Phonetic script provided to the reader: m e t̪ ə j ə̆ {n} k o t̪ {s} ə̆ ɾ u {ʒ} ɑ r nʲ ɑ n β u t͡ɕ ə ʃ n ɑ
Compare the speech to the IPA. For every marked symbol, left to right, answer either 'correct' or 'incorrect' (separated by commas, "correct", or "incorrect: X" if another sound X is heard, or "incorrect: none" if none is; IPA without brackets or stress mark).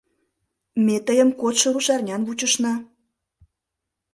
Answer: incorrect: m, incorrect: ʃ, incorrect: ʃ